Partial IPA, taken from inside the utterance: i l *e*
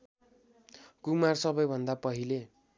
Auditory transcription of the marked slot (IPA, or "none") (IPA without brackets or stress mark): e